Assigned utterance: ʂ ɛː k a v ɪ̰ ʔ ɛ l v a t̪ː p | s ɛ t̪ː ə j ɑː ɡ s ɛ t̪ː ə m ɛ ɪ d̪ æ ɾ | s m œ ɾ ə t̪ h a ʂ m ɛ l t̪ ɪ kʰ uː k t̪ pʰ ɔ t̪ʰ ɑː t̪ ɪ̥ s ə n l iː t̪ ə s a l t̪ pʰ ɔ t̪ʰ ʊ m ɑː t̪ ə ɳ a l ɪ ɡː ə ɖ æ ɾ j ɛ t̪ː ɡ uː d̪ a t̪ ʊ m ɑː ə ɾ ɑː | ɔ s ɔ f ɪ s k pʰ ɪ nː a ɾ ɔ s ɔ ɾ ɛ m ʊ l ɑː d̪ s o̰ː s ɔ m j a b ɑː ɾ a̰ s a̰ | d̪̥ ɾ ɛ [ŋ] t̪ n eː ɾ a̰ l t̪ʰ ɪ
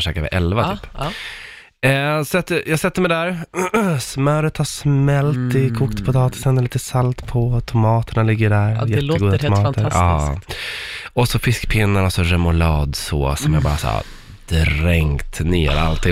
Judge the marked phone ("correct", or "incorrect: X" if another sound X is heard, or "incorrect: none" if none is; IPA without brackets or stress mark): correct